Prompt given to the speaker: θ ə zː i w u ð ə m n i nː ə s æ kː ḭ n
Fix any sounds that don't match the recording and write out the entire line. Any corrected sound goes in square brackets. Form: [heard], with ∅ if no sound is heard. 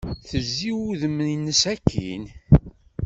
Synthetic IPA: θ ə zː i w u ð ə m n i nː ə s æ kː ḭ n